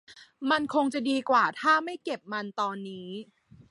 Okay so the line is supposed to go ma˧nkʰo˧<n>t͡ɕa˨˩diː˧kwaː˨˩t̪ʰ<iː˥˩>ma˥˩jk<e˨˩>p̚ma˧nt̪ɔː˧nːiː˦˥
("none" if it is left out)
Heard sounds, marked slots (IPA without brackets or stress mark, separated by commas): ŋ, aː˥˩, e˨˩